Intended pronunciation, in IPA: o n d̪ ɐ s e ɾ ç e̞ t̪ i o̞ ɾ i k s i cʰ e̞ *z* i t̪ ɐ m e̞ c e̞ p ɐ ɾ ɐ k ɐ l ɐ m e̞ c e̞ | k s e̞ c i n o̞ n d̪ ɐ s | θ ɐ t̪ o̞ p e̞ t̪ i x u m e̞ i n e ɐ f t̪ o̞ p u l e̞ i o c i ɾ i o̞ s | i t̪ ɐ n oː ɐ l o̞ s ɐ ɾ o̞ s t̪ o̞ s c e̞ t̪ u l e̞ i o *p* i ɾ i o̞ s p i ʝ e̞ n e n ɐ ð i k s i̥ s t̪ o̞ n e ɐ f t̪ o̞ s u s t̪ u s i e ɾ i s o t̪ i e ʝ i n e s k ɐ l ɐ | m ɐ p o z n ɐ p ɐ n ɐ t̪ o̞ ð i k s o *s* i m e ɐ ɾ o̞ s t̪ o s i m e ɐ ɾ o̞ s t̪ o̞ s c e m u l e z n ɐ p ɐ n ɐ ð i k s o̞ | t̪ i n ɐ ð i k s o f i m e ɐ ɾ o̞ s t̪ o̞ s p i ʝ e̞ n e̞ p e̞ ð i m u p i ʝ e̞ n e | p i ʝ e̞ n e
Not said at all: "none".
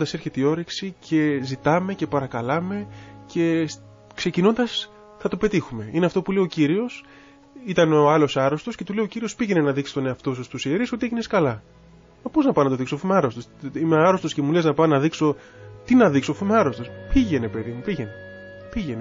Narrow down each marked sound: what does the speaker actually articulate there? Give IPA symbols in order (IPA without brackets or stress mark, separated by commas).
z, c, f